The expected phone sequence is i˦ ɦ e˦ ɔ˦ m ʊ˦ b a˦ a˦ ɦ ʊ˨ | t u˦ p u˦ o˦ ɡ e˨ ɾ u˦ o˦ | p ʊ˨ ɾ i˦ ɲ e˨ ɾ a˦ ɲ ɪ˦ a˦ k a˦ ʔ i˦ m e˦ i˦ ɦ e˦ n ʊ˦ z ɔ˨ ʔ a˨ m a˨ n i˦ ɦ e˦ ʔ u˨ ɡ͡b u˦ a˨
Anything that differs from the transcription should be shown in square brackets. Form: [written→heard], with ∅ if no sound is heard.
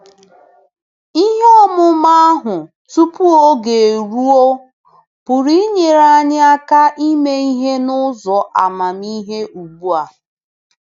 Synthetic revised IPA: i˦ ɦ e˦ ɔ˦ m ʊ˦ [b→m] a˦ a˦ ɦ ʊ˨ | t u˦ p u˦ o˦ ɡ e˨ ɾ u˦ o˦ | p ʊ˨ ɾ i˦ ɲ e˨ ɾ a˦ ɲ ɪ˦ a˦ k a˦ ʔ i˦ m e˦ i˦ ɦ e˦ n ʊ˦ z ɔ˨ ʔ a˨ m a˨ [n→m] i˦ ɦ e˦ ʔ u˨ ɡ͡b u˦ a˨